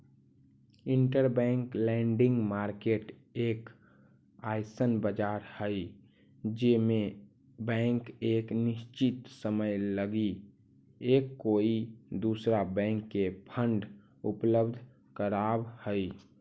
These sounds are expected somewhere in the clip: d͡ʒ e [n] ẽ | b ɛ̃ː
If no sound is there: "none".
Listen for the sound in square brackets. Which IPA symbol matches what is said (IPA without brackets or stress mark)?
m